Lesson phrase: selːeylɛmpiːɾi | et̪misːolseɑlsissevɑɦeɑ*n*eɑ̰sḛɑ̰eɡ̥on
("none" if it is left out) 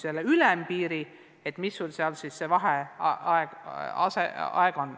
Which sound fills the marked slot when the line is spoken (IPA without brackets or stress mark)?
none